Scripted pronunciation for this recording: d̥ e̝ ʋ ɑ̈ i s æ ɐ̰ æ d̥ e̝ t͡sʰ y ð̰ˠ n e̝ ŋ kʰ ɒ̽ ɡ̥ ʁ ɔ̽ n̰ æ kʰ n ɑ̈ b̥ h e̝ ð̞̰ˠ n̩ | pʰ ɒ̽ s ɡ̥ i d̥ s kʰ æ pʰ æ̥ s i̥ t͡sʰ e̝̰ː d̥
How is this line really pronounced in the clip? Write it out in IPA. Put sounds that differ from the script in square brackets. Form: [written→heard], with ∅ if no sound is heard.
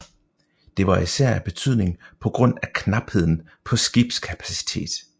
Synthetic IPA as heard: d̥ e̝ ʋ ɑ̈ i s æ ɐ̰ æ [d̥→b̥] e̝ t͡sʰ y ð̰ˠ n e̝ ŋ [kʰ→pʰ] ɒ̽ ɡ̥ ʁ ɔ̽ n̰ æ kʰ n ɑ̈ b̥ h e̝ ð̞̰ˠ n̩ | pʰ ɒ̽ s ɡ̥ i [d̥→b̥] s kʰ æ pʰ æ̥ s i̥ t͡sʰ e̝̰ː d̥